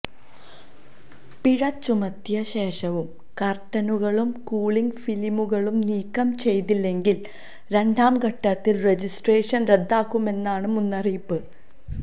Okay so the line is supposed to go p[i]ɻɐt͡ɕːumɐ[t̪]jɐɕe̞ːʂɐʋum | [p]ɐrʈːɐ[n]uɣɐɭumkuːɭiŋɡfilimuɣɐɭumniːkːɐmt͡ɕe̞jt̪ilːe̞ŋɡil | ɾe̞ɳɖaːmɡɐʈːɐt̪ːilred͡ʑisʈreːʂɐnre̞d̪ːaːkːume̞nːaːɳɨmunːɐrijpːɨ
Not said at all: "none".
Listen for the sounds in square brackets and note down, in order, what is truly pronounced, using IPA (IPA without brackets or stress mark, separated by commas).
i, t̪, k, n